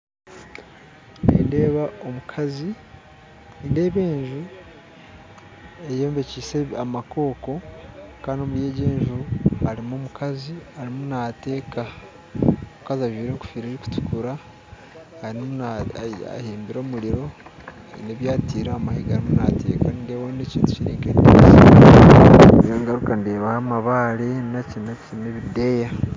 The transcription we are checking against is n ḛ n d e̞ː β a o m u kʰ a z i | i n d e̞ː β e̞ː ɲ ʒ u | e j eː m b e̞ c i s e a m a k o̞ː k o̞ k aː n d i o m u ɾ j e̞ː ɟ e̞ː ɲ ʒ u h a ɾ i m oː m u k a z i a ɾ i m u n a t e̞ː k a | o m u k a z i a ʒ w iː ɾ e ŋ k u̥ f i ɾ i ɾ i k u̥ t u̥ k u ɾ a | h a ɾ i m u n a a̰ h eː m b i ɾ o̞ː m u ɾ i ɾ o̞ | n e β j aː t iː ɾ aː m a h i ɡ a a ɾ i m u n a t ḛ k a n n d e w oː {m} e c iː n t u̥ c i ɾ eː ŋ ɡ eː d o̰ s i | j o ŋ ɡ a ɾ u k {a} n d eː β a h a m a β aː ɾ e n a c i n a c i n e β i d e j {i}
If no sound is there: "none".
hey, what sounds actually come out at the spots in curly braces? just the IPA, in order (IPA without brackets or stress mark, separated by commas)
n, a, a